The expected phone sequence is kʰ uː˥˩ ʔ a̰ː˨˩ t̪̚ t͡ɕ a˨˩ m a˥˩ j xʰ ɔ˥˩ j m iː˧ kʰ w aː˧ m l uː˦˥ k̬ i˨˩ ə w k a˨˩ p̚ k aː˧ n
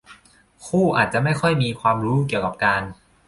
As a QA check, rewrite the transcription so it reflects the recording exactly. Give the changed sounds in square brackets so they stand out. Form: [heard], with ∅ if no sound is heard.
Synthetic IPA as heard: kʰ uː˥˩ ʔ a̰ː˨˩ t̪̚ t͡ɕ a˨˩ m a˥˩ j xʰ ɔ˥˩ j m iː˧ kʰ w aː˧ m [ɾ] uː˦˥ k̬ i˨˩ ə w k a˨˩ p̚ k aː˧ n